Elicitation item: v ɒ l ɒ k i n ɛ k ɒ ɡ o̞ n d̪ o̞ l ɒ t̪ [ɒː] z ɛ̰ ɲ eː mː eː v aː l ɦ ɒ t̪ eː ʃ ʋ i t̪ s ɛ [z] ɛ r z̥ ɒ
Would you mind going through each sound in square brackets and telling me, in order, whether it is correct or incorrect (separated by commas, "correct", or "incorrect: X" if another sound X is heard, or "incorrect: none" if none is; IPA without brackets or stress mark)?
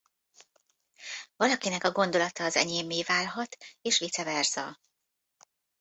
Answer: correct, incorrect: v